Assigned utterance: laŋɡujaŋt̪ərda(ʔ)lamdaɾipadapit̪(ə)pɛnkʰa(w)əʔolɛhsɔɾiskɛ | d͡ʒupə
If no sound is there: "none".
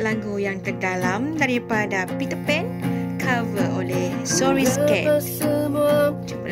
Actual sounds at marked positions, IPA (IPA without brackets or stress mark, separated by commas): none, ə, v